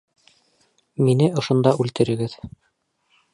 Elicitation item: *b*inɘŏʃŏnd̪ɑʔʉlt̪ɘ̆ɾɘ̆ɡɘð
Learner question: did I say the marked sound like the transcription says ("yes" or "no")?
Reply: no